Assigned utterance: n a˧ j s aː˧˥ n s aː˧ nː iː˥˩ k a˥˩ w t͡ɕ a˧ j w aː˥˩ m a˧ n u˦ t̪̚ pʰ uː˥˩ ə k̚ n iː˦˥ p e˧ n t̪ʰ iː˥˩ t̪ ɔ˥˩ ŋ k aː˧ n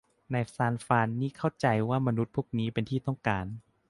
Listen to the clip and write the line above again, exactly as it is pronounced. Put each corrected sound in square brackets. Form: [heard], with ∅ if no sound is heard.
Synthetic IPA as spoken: n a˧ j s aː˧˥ n [f] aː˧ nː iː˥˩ [kʰ] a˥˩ w t͡ɕ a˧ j w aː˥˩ m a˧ n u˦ t̪̚ pʰ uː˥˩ ə k̚ n iː˦˥ p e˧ n t̪ʰ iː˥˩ t̪ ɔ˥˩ ŋ k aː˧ n